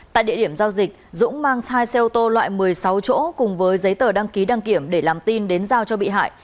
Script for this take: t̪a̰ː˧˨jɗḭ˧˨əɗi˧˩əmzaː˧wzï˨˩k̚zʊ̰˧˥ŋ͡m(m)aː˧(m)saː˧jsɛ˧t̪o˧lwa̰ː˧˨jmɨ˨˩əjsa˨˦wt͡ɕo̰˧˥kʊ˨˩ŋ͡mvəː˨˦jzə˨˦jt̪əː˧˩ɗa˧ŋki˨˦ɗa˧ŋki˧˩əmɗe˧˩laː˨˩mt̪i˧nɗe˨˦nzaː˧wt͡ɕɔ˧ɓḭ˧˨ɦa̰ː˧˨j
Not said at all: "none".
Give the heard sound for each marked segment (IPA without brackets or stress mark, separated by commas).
m, ŋ